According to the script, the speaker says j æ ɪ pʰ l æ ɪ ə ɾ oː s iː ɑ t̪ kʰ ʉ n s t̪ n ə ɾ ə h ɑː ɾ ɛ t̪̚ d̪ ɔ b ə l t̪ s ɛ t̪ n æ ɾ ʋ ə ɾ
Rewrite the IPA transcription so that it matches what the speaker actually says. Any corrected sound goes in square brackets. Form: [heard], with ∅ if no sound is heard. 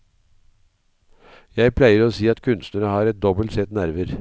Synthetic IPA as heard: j æ ɪ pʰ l æ ɪ ə ɾ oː s iː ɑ t̪ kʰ ʉ n s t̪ n ə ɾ ə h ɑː ɾ ɛ t̪̚ d̪ ɔ b ə l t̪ s ɛ t̪ n æ ɾ ʋ ə ɾ